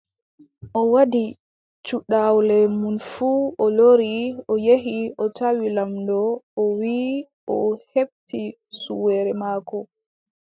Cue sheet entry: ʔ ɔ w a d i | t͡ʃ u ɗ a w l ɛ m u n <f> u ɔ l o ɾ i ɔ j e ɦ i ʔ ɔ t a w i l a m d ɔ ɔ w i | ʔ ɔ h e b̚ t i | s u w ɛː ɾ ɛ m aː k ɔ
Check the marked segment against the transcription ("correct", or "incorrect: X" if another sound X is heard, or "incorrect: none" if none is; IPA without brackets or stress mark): correct